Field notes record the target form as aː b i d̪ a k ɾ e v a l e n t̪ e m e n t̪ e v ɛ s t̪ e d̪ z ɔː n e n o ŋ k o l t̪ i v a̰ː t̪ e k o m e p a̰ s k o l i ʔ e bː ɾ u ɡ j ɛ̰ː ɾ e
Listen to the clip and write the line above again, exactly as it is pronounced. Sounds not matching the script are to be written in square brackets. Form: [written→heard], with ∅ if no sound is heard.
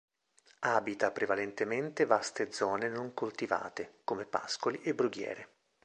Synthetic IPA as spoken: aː b i [d̪→t̪] a [k→p] ɾ e v a l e n t̪ e m e n t̪ e v [ɛ→a] s t̪ e d̪ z ɔː n e n o ŋ k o l t̪ i v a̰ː t̪ e k o m e p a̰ s k o l i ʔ e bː ɾ u ɡ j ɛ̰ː ɾ e